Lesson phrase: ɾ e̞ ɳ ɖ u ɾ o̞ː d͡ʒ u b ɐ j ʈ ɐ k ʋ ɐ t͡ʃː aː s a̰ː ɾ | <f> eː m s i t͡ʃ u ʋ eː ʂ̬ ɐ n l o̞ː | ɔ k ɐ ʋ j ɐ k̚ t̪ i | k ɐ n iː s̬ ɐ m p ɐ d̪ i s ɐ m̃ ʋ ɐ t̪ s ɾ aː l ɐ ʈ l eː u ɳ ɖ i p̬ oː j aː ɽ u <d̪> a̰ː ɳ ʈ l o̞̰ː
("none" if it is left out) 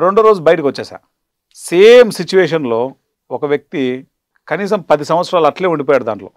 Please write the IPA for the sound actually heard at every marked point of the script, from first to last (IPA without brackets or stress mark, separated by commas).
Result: s, d̪